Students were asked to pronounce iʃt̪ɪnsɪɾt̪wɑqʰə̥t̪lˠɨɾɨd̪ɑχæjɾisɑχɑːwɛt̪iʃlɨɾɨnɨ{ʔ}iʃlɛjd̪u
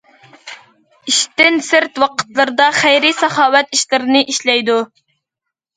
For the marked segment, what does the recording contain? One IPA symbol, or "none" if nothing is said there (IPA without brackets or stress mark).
ʔ